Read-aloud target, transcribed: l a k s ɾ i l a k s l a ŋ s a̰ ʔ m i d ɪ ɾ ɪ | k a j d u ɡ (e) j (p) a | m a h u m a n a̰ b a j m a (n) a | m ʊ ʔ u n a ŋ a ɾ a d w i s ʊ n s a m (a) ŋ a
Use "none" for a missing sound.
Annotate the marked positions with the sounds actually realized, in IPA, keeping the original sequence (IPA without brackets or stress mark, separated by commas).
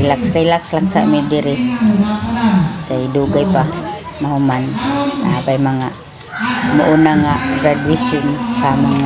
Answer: a, p, ŋ, a